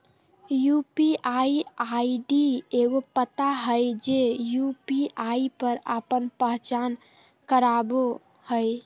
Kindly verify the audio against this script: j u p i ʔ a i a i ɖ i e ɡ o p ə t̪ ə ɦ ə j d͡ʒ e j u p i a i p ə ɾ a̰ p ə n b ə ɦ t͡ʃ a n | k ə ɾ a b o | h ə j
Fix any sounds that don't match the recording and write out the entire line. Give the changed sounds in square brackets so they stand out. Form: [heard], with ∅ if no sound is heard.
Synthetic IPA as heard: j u p i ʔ a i a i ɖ i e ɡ o p ə t̪ [a] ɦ ə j d͡ʒ e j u p i a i p ə ɾ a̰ p ə n [p] ə ɦ t͡ʃ a n | k ə ɾ a b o | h ə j